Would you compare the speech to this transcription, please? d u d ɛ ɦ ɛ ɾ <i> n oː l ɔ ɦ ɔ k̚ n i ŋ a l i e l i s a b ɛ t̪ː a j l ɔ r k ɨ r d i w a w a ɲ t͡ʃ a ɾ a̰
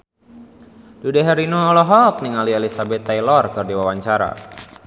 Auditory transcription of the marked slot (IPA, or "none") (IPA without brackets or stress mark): i